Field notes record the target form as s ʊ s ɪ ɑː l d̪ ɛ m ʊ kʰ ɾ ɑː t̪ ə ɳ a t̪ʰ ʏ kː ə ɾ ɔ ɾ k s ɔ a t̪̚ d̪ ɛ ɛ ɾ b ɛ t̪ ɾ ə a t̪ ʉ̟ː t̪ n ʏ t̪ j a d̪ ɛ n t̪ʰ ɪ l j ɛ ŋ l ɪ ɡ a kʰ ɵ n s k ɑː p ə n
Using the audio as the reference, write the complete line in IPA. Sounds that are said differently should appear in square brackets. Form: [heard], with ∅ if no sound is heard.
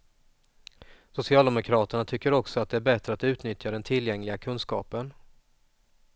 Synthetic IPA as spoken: s ʊ s ɪ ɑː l d̪ ɛ m ʊ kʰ ɾ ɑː t̪ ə ɳ a t̪ʰ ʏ kː ə ɾ ɔ [∅] k s ɔ a t̪̚ d̪ ɛ [æ] ɾ b ɛ t̪ ɾ ə a t̪ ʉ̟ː t̪ n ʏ t̪ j a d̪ ɛ n t̪ʰ ɪ l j ɛ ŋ l ɪ ɡ a kʰ ɵ n s k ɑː p ə n